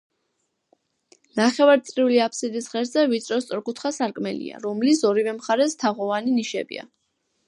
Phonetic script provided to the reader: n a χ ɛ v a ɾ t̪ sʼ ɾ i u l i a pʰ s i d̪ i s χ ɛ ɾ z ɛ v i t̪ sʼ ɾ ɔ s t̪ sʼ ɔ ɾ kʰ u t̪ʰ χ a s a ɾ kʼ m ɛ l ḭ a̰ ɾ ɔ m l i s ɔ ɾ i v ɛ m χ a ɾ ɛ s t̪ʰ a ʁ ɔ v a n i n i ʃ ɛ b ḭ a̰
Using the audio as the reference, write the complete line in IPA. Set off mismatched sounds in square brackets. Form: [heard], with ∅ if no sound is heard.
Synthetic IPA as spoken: n a χ ɛ v a ɾ t̪ sʼ ɾ i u l i a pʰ s i d̪ i s [ʁ] ɛ ɾ z ɛ v i t̪ sʼ ɾ ɔ s t̪ sʼ ɔ ɾ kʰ u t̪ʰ χ a s a ɾ kʼ m ɛ l ḭ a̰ ɾ ɔ m l i s ɔ ɾ i v ɛ m χ a ɾ ɛ s t̪ʰ a ʁ ɔ v a n i n i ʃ ɛ b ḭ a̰